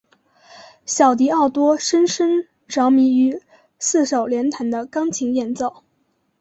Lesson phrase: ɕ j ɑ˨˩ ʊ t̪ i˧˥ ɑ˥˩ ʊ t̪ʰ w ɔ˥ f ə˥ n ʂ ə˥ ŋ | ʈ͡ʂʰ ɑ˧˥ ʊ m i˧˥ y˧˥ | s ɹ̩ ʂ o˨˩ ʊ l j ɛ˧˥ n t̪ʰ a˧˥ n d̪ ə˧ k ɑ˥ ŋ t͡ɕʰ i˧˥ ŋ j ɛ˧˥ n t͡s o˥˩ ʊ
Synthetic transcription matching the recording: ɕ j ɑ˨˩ ʊ t̪ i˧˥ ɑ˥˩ ʊ t̪ w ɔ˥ ʂ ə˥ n ʂ ə˥ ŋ | ʈ͡ʂ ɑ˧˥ ʊ m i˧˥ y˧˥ | s ɹ̩ ʂ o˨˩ ʊ l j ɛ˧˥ n t̪ʰ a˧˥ n d̪ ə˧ k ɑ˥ ŋ t͡ɕʰ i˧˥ ŋ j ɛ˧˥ n t͡s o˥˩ ʊ